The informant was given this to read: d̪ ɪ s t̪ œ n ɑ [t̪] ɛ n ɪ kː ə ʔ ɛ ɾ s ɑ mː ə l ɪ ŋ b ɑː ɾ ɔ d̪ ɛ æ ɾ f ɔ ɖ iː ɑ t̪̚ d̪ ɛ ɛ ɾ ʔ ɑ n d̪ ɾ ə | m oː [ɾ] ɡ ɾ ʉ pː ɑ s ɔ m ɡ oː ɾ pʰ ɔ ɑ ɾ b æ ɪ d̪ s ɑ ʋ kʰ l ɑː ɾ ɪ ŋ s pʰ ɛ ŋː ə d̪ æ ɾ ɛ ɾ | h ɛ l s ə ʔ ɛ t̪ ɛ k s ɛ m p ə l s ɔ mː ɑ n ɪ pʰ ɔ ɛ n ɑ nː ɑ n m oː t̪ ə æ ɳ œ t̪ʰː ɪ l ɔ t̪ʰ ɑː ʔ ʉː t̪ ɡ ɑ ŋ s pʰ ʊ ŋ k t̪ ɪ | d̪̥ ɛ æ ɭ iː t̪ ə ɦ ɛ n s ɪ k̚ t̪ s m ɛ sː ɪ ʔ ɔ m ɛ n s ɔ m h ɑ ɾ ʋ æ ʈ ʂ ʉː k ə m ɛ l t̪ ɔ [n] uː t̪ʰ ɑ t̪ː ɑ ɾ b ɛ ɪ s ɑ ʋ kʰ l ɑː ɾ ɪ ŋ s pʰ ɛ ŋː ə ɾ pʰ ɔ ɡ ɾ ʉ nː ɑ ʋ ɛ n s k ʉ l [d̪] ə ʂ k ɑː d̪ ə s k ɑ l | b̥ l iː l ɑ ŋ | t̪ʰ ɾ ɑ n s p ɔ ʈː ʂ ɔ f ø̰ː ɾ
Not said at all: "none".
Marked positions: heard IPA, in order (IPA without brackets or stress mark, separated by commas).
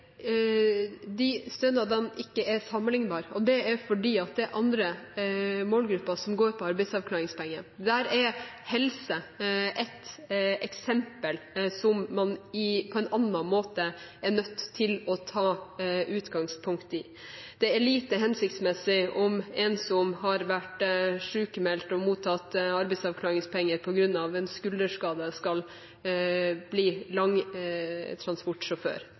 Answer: d̪, l, m, d̪